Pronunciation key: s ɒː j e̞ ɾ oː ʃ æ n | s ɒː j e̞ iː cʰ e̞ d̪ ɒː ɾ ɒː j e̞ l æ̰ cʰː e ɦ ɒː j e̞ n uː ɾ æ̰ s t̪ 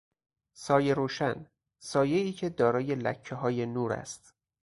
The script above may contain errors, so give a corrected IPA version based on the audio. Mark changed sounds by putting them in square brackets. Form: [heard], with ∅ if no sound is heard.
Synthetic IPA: s ɒː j e̞ ɾ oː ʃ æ n | s ɒː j e̞ iː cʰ e̞ d̪ ɒː ɾ ɒː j e̞ l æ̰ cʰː e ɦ ɒː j e̞ n uː ɾ æ̰ s t̪

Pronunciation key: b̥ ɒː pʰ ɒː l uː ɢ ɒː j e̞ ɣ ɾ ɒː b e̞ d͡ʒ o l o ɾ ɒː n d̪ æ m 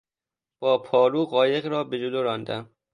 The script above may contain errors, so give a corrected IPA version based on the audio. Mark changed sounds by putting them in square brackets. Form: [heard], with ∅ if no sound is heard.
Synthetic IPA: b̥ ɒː pʰ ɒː [ɾ] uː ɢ ɒː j e̞ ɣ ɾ ɒː b e̞ d͡ʒ o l o ɾ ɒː n d̪ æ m

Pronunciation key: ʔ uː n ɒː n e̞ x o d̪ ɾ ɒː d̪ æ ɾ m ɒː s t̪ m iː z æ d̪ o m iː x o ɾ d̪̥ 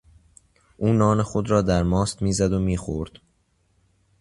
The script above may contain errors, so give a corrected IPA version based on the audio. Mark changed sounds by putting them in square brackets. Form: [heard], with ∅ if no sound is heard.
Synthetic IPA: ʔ uː n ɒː n e̞ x o d̪ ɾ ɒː d̪ æ ɾ m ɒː s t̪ m iː z æ d̪ o m iː x o ɾ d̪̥

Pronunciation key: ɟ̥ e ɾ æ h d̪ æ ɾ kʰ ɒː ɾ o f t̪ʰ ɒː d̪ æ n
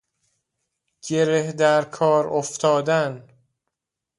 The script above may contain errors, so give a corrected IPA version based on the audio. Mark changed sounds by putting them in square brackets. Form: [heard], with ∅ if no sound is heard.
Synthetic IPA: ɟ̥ e ɾ [e] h d̪ æ ɾ kʰ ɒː ɾ o f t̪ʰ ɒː d̪ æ n

